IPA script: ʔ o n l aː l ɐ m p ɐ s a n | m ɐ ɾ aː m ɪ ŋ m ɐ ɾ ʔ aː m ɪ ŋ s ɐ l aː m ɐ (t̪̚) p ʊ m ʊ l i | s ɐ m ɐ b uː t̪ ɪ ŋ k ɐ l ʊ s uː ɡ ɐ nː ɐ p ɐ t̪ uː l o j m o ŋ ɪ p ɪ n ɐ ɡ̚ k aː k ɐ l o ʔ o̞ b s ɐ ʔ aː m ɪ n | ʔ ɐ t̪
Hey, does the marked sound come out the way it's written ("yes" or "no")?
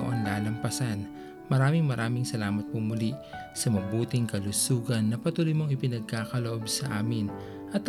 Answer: yes